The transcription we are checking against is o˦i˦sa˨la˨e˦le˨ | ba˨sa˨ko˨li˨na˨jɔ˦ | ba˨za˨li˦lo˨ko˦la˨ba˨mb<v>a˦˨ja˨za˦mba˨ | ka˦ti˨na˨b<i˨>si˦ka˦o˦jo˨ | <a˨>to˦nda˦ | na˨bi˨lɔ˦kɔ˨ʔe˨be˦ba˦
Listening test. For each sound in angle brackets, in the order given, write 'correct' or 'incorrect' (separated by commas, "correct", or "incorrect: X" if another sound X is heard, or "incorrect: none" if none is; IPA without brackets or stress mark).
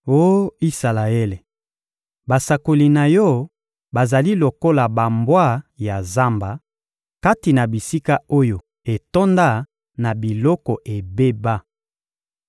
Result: incorrect: w, correct, incorrect: e˨